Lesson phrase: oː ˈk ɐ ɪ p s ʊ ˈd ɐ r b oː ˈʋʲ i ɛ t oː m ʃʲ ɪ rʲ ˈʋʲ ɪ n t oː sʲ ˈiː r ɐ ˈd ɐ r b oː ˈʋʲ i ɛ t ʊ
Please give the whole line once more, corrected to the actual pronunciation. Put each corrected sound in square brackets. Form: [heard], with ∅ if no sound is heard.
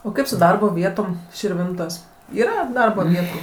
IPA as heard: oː ˈk ɐ ɪ p s ʊ ˈd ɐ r b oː ˈʋʲ i ɛ t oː m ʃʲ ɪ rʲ ˈʋʲ ɪ n t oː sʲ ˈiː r ɐ ˈd ɐ r b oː ˈʋʲ i ɛ t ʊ